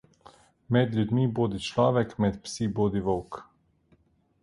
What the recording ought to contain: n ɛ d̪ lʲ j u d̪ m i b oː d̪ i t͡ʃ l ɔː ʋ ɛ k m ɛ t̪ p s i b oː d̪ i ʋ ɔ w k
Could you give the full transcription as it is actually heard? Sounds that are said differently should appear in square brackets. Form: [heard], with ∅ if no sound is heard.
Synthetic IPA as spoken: [m] ɛ d̪ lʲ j u d̪ m i b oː d̪ i t͡ʃ l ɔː ʋ ɛ k m ɛ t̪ p s i b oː d̪ i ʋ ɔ w k